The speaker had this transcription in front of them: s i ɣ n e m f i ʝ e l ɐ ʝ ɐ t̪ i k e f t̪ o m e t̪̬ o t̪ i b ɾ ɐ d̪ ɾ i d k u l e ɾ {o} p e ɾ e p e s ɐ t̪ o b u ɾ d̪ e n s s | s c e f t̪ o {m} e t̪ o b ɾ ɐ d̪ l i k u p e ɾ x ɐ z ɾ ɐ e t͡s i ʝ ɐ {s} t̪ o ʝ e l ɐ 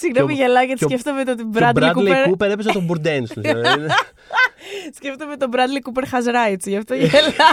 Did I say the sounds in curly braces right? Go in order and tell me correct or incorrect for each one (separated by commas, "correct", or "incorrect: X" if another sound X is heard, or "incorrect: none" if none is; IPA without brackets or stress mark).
incorrect: u, correct, incorrect: f